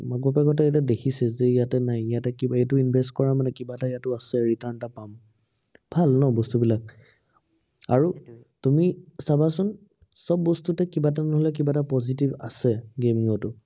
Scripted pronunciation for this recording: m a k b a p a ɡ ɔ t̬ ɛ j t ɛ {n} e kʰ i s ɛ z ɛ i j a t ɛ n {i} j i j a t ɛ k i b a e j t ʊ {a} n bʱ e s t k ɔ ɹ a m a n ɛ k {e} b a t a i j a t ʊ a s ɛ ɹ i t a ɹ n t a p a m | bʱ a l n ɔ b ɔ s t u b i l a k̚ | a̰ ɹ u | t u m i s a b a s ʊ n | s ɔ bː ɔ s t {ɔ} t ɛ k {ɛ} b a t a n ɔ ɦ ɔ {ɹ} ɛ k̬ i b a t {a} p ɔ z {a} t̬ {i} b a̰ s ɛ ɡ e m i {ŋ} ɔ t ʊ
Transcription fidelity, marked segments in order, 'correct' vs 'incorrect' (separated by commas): incorrect, incorrect, incorrect, incorrect, incorrect, incorrect, incorrect, correct, incorrect, correct, correct